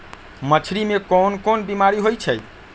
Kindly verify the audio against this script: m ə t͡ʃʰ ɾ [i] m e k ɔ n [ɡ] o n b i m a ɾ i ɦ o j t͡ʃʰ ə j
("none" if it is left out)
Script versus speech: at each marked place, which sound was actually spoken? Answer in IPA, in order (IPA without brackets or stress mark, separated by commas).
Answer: i, k